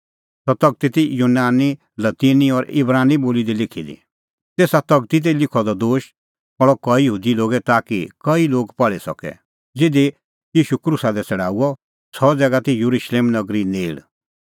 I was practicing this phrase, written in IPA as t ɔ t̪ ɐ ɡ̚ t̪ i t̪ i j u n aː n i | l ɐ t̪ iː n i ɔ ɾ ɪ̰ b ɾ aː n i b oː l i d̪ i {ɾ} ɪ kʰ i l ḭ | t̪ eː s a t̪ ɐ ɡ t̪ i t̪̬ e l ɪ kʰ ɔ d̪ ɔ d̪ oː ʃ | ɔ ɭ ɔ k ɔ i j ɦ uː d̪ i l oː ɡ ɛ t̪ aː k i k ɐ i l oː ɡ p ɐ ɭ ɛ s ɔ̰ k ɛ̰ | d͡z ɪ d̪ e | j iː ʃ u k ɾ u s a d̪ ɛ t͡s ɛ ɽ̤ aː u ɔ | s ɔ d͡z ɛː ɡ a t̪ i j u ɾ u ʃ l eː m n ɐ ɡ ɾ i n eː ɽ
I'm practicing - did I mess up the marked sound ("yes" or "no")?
yes